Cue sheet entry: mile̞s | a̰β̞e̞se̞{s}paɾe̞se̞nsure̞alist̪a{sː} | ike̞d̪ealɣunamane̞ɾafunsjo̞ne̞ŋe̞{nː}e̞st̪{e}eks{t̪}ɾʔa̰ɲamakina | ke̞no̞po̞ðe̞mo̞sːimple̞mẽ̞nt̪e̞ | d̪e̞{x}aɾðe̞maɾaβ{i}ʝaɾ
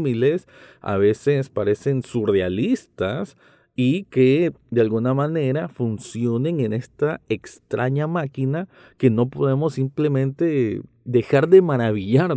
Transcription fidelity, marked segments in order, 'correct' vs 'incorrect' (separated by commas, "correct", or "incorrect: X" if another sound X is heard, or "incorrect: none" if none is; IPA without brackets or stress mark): correct, incorrect: s, incorrect: n, incorrect: a, correct, correct, correct